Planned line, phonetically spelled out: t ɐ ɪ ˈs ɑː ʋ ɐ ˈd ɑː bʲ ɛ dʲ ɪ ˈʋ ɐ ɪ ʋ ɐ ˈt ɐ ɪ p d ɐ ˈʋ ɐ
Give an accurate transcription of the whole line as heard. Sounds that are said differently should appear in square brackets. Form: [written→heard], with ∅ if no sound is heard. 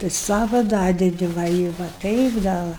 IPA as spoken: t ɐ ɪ ˈs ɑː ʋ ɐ ˈd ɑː [bʲ→dʲ] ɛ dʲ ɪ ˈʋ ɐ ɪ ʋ ɐ ˈt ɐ ɪ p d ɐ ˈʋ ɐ